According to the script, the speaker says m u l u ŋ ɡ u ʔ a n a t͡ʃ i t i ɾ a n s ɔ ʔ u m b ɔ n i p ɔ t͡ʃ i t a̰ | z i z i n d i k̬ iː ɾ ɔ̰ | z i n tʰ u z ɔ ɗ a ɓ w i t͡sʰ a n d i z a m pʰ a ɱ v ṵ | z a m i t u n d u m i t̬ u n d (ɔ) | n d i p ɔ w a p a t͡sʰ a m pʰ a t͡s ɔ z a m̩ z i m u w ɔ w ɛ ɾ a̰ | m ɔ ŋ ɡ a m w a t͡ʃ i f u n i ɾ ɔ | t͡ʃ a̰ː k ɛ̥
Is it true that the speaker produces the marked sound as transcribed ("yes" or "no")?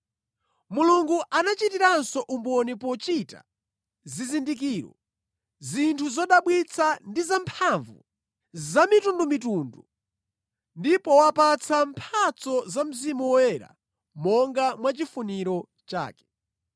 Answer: no